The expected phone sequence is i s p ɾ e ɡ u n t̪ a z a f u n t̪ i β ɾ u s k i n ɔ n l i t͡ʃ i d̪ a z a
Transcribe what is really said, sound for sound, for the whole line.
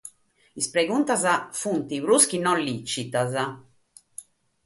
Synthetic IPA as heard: i s p ɾ e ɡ u n t̪ a z a f u n t̪ i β ɾ u s k i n ɔ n l i t͡ʃ i t̪ a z a

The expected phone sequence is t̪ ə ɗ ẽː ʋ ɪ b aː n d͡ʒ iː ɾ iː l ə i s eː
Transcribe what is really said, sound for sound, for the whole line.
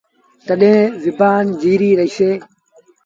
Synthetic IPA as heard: t̪ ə ɗ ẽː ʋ ɪ b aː n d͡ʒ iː ɾ iː ɾ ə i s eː

